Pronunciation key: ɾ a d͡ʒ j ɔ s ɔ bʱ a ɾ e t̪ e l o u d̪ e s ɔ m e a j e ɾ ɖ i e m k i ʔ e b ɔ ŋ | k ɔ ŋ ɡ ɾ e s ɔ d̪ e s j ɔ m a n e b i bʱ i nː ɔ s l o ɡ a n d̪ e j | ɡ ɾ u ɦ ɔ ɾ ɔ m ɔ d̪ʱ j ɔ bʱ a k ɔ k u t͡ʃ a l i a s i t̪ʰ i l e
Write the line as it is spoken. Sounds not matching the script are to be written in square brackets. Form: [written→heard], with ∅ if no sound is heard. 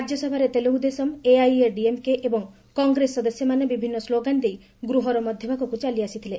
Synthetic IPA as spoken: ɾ a d͡ʒ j ɔ s ɔ bʱ a ɾ e t̪ e l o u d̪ e s ɔ m e a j e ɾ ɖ i e m k [i→e] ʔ e b ɔ ŋ | k ɔ ŋ ɡ ɾ e s ɔ d̪ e s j ɔ m a n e b i bʱ i nː ɔ s l o ɡ a n d̪ e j | ɡ ɾ u ɦ ɔ ɾ ɔ m ɔ d̪ʱ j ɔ bʱ a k ɔ k u t͡ʃ a l i a s i t̪ʰ i l e